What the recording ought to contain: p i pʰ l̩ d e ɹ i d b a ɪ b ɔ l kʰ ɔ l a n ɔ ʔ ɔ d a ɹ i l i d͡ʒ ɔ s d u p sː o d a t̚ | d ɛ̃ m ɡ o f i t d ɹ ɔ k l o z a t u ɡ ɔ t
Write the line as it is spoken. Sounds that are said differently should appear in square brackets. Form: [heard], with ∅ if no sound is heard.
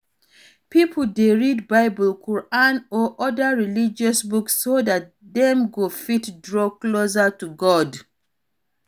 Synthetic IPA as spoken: p i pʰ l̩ d e ɹ i d b a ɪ b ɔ l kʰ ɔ [ɹ] a n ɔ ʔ ɔ d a ɹ i l i d͡ʒ ɔ s [b] u [k] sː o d a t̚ | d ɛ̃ m ɡ o f i t d ɹ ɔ k l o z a t u ɡ ɔ [d]

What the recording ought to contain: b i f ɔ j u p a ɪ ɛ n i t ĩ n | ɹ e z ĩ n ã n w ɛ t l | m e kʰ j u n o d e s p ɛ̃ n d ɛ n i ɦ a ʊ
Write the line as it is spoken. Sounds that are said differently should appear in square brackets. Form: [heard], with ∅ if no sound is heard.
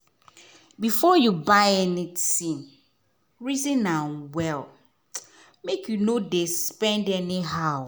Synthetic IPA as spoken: b i f ɔ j u [b] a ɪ ɛ n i t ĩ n | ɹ [i] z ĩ n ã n w ɛ [∅] l | m e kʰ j u n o d e s p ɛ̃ n d ɛ n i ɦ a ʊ

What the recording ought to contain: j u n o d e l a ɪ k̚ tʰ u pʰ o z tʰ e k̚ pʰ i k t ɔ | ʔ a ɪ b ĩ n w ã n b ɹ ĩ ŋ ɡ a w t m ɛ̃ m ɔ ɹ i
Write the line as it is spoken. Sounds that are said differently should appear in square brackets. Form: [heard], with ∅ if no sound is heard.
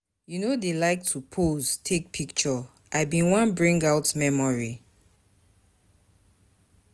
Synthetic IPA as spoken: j u n o d e l a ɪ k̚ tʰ u pʰ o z tʰ e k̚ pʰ i k [t͡ʃ] ɔ | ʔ a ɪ b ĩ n w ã n b ɹ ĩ ŋ ɡ a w t m [ɛ] m ɔ ɹ i

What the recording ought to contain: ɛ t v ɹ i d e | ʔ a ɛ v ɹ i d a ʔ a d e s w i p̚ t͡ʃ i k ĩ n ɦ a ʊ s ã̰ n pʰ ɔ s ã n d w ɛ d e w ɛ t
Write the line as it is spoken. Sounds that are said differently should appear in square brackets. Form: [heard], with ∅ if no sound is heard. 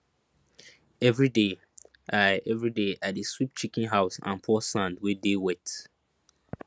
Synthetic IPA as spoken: ɛ [∅] v ɹ i d e | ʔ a ɛ v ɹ i d [e] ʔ a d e s w i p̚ t͡ʃ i k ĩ n ɦ a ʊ s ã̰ n pʰ ɔ s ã n d w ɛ d e w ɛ t

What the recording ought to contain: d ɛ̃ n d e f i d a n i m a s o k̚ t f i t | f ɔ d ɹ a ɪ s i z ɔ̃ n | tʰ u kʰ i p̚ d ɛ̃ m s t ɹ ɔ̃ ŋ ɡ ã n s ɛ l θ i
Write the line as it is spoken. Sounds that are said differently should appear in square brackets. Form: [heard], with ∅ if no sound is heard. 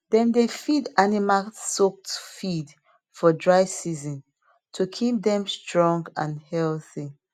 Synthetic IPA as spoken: d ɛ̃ n d e f i d a n i m a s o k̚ t f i [d] | f ɔ d ɹ a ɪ s i z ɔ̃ n | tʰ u kʰ i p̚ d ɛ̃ m s t ɹ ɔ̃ ŋ ɡ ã n [h] ɛ l θ i

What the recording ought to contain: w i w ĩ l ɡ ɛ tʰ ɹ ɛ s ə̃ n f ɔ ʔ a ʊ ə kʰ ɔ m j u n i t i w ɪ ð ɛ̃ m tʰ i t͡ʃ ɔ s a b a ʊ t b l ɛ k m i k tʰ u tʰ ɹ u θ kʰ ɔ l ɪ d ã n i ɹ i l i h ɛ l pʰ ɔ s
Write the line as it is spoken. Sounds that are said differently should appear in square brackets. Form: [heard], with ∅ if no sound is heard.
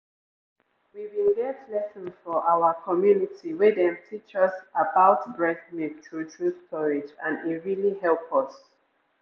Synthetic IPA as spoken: w i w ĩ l ɡ ɛ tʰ [l] ɛ s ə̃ n f ɔ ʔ a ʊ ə kʰ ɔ m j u n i t i w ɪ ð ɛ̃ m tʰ i t͡ʃ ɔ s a b a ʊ t b [ɹ] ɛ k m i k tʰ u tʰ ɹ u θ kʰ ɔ [ɹ] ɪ [d͡ʒ] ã n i ɹ i l i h ɛ l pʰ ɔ s

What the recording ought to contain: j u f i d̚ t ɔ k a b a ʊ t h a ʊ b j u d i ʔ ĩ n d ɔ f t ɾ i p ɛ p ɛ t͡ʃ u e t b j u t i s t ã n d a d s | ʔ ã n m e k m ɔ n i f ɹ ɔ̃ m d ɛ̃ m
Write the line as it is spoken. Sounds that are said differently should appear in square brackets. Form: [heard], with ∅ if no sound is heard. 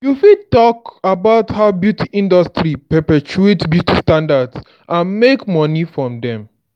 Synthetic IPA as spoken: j u f i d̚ t ɔ k a b a ʊ t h a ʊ b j u [t] i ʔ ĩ n d ɔ [s] t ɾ i p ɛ p ɛ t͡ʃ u e t b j u t i s t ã n d a d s | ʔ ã n m e k m ɔ n i f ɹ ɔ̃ m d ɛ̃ m

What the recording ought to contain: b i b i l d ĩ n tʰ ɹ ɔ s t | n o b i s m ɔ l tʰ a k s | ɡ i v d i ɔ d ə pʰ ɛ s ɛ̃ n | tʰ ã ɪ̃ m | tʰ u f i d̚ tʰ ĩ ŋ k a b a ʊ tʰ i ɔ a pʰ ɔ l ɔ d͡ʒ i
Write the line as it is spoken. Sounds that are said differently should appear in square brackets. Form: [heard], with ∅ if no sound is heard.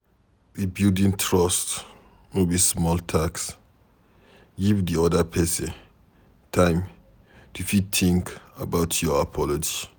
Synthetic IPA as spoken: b i b i l d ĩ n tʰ ɹ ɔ s t | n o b i s m ɔ l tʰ a k s | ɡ i v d i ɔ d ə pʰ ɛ s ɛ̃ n | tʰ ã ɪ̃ m | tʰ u f i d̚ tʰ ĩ ŋ k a b a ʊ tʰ [j] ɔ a pʰ ɔ l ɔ d͡ʒ i

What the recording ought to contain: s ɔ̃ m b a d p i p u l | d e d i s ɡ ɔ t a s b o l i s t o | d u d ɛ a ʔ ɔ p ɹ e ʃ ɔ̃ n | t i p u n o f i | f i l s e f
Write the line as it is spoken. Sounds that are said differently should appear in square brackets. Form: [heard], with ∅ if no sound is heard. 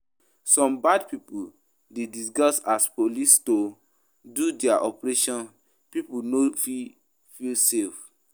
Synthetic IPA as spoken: s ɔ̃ m b a d p i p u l | d e d i s ɡ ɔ [s] a s [p] o l i s t o | d u d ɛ a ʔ ɔ p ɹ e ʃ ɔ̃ n | [p] i p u n o f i | f i l s e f

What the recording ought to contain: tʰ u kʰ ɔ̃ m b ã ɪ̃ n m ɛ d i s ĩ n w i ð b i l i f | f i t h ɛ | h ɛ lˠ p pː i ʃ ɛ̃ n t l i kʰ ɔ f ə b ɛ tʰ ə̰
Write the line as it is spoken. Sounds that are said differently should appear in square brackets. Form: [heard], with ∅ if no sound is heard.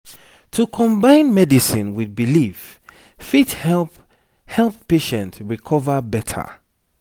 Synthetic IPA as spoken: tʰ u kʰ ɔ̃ m b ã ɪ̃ n m ɛ d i s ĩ n w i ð b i l i f | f i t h ɛ | h ɛ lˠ p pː [e] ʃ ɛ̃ n t [ɹ] i kʰ ɔ [v] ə b ɛ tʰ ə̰

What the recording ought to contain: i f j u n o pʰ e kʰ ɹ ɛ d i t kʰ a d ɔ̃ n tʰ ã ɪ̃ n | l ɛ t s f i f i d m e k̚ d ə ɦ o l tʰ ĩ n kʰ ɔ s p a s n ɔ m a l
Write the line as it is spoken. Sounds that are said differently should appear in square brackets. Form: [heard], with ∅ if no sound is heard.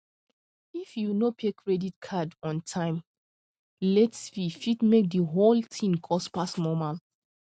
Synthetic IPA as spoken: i f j u n o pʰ e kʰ ɹ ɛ d i t kʰ a d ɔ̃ n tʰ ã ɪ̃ [m] | l ɛ t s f i f i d m e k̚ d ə ɦ o l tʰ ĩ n kʰ ɔ s p a s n ɔ m a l

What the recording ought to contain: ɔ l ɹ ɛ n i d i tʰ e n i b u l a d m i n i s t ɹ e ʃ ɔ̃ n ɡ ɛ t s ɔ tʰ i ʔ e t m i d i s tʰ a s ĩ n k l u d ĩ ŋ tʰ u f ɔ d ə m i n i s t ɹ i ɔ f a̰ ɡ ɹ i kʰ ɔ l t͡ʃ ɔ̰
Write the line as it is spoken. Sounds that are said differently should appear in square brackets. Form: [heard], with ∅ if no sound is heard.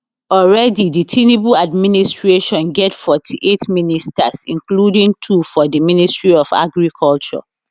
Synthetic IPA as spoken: ɔ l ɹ ɛ [d] i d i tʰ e n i b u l a d m i n i s t ɹ e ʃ ɔ̃ n ɡ ɛ t [f] ɔ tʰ i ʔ e t m i [n] i s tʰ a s ĩ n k l u d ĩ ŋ tʰ u f ɔ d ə m i n i s t ɹ i ɔ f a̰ ɡ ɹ i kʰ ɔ l t͡ʃ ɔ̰

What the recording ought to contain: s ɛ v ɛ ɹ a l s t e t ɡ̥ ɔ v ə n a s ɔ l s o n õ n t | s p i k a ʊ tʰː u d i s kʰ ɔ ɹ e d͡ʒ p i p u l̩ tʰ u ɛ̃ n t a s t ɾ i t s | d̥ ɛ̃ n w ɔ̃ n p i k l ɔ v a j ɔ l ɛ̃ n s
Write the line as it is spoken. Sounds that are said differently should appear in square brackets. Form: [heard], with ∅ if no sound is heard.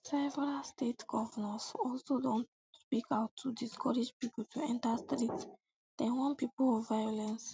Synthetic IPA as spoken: s ɛ v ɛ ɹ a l s t e t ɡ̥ ɔ v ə n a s ɔ l s o [d] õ n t | s p i k a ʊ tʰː u d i s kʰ ɔ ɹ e d͡ʒ p i p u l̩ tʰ u ɛ̃ n t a s t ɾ i t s | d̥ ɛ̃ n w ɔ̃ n p i [p] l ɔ v a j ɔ l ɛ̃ n s

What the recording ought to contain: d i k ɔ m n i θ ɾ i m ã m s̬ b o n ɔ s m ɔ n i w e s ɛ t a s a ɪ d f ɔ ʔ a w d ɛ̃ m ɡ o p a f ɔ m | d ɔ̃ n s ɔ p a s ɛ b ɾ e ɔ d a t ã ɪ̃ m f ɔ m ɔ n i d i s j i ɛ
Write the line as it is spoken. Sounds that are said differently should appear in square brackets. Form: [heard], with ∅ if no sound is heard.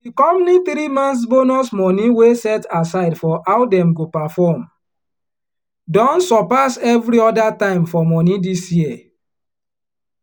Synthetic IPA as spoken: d i k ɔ m n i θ ɾ i m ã [n] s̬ b o n ɔ s m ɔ n i w e s ɛ t a s a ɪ d f ɔ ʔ a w d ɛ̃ m ɡ o p a f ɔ m | d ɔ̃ n s ɔ p a s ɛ [v] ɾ [i] ɔ d a t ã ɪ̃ m f ɔ m ɔ n i d i s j i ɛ

